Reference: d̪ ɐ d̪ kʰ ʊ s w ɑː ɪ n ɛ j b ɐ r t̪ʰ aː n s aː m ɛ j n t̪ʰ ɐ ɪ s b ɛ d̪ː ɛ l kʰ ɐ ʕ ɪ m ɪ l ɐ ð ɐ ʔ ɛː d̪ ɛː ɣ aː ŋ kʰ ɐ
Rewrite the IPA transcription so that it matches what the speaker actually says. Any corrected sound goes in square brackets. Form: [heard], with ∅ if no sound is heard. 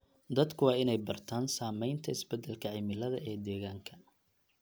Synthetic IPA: d̪ ɐ d̪ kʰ ʊ [∅] w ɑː ɪ n ɛ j b ɐ r t̪ʰ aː n s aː m ɛ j n t̪ʰ ɐ ɪ s b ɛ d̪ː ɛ l kʰ ɐ ʕ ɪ m ɪ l ɐ ð ɐ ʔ ɛː d̪ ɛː ɣ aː ŋ kʰ ɐ